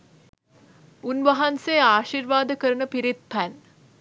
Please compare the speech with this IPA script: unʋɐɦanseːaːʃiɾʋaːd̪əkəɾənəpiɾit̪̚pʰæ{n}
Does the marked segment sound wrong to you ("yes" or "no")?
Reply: no